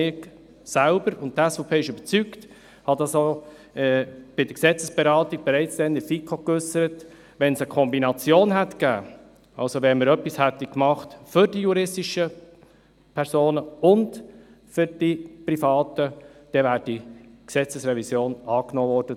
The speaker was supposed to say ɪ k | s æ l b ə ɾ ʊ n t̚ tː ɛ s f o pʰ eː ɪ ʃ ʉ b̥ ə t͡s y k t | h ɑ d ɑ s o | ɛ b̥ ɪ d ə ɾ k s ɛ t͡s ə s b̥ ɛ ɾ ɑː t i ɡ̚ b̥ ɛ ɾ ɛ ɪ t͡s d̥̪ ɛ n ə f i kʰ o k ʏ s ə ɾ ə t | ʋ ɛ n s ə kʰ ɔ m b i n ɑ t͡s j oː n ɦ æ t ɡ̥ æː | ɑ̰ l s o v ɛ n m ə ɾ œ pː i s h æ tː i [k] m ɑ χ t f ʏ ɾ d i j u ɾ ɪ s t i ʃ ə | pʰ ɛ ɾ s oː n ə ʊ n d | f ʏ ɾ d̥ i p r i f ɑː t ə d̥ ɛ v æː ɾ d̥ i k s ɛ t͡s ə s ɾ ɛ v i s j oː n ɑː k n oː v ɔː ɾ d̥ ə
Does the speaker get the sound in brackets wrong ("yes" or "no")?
no